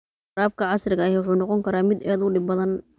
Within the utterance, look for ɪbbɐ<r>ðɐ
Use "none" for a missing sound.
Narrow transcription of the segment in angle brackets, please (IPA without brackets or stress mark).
none